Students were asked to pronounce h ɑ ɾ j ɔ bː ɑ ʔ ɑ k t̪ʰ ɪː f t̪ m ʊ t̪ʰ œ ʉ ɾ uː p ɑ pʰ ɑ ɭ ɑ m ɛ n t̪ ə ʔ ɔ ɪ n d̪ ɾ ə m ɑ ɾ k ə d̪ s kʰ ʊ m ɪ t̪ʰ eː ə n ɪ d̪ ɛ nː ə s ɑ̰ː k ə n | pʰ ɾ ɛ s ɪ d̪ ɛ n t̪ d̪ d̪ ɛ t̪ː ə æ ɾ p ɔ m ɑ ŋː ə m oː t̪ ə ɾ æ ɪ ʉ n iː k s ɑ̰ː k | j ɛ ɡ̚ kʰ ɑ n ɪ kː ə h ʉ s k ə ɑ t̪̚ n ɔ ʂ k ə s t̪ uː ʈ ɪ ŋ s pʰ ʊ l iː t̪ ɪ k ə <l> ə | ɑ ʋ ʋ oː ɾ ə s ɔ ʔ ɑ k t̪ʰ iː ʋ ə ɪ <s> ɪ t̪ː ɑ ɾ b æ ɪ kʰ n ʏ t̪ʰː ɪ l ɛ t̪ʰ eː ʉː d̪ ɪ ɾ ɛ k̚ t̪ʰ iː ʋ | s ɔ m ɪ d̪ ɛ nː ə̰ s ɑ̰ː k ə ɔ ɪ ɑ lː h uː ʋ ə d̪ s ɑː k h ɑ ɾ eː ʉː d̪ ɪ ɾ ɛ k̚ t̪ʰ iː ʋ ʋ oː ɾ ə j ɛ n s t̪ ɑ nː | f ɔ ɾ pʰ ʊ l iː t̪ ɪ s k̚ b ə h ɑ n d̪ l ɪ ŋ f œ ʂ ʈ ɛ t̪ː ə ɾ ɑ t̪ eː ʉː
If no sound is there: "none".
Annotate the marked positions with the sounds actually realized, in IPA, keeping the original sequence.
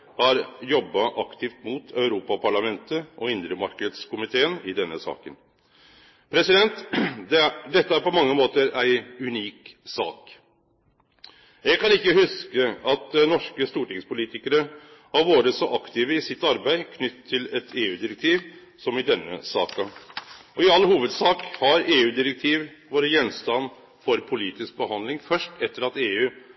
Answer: ɾ, s

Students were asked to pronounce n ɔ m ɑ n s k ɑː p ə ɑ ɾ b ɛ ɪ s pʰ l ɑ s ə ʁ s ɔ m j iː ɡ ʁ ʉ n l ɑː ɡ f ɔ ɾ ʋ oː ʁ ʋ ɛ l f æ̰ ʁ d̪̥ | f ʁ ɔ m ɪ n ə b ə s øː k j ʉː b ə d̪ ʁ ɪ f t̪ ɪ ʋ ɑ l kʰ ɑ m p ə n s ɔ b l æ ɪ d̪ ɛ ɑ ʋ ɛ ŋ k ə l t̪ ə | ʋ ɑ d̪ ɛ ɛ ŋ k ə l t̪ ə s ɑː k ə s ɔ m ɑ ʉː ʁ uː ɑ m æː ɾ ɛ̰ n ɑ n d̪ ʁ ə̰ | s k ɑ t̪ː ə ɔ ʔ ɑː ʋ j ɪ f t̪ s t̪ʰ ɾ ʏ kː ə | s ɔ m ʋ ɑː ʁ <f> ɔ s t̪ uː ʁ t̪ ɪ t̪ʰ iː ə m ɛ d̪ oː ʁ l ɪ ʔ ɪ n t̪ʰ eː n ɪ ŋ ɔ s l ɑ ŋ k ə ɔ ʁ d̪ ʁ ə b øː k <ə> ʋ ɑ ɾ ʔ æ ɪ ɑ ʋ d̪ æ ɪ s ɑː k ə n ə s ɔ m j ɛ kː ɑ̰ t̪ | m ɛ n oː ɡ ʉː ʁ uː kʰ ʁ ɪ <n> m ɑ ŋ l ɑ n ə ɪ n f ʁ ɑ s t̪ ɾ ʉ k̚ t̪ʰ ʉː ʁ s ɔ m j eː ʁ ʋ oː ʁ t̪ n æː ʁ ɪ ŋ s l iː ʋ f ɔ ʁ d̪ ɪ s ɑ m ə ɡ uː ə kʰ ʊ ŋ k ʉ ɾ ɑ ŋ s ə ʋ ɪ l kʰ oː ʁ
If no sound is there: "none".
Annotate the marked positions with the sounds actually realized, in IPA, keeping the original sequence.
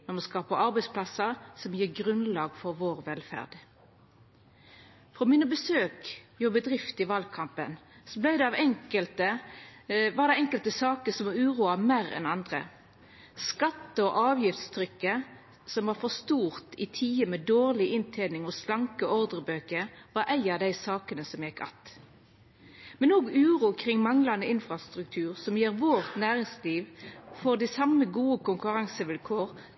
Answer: f, ə, ŋ

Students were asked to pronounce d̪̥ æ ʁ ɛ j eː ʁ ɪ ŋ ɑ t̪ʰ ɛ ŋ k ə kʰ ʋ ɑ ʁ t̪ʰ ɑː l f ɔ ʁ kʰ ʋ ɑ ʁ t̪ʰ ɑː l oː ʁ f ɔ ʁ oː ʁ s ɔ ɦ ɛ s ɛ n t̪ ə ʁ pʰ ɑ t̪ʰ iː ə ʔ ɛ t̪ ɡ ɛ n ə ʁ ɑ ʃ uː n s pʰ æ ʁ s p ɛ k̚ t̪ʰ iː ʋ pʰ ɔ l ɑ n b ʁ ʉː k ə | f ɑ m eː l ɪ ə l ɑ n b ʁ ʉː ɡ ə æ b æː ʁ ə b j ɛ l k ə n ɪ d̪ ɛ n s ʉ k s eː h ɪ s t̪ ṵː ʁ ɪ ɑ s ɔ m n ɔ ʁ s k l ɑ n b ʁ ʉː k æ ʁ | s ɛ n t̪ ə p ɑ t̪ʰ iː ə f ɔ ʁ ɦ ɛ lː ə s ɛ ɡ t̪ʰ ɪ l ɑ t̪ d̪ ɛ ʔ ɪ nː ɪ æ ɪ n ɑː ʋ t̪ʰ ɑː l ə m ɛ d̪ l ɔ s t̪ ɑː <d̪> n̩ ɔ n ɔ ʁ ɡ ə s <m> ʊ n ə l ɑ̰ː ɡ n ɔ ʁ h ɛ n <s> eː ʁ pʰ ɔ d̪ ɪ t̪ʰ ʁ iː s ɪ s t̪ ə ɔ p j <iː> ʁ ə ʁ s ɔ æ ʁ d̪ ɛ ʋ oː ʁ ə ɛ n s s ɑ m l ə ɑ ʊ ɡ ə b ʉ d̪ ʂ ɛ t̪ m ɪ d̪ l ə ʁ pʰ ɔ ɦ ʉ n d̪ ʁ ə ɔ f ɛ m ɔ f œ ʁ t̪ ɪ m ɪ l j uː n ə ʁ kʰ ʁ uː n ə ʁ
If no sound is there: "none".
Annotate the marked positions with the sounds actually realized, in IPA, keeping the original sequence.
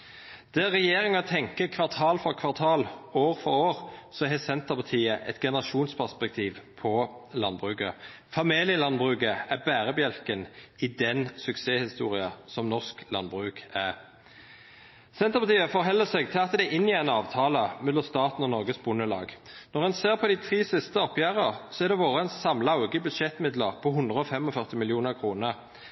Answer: t̪, b, s, æː

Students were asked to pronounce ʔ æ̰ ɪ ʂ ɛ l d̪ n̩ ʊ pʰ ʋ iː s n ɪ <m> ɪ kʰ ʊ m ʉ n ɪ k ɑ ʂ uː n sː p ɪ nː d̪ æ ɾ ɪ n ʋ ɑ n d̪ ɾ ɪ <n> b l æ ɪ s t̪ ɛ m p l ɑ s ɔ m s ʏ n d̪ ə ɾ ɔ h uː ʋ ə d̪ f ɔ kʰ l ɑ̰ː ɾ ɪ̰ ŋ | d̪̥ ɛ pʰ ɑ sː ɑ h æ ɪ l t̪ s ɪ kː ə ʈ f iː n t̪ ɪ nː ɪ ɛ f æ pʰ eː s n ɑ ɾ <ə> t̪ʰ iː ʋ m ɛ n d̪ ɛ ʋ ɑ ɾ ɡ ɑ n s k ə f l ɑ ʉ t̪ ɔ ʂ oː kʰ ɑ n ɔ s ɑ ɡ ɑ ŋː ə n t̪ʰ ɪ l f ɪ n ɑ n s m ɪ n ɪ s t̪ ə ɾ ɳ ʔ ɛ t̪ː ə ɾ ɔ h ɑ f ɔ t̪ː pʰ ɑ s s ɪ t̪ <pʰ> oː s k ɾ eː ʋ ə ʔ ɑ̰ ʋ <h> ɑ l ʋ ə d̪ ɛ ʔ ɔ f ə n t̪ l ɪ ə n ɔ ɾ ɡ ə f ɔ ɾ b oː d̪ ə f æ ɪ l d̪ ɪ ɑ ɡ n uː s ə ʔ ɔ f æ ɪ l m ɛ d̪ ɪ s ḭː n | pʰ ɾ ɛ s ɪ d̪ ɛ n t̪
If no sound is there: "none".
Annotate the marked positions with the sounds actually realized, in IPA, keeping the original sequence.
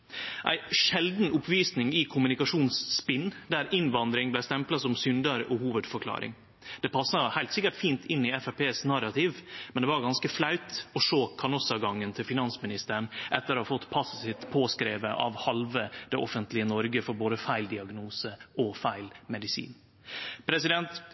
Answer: ŋ, ŋ, ɑ, pʰ, h

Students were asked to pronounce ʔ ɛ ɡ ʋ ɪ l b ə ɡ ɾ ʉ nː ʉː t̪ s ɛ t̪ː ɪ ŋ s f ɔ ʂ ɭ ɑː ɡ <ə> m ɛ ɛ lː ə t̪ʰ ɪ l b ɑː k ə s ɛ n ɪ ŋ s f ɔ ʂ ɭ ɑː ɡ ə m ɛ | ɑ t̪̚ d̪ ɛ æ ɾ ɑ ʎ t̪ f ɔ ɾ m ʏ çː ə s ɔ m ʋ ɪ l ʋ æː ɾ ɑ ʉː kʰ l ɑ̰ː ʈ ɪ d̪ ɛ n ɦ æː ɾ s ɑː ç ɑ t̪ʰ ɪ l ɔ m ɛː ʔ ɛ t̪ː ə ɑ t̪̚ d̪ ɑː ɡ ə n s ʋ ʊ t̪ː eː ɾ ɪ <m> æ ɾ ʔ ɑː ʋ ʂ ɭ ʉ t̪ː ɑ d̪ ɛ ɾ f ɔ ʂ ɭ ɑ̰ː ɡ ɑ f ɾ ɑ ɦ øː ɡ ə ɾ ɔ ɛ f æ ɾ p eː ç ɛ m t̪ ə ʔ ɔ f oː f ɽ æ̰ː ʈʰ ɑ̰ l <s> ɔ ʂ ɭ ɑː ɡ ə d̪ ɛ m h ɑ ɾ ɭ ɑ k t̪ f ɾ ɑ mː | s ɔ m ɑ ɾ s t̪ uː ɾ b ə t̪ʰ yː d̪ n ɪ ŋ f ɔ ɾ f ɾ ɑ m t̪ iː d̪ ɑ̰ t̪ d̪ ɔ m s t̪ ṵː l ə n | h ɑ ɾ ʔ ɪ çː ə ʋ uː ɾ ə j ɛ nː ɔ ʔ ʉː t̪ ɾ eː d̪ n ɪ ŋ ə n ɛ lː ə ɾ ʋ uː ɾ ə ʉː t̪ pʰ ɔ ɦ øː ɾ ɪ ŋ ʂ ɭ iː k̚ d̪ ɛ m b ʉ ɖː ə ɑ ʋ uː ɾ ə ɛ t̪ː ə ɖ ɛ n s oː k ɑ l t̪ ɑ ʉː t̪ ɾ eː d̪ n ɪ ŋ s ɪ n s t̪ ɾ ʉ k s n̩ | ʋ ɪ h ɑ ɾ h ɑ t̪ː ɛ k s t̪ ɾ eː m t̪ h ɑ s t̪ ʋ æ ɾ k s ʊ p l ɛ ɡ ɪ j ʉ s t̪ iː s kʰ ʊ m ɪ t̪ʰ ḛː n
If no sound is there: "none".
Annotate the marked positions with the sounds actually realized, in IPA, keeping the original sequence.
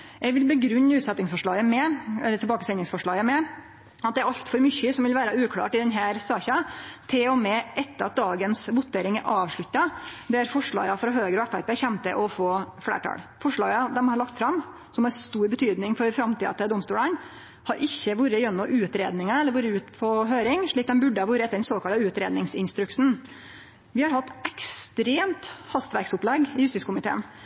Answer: ə, ŋ, f

